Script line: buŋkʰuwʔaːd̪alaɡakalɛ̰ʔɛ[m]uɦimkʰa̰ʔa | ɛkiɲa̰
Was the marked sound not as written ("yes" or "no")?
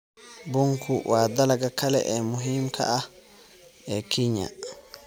no